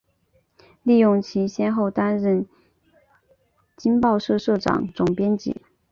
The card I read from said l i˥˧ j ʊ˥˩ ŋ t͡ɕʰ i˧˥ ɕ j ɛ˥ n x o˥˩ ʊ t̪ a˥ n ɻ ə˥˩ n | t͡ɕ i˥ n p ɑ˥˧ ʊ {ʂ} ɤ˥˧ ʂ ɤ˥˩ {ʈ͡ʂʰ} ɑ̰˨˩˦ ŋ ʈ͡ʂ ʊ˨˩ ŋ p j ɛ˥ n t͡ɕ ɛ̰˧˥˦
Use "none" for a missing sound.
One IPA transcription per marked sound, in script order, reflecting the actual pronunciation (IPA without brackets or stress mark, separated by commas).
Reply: ʂ, ʈ͡ʂ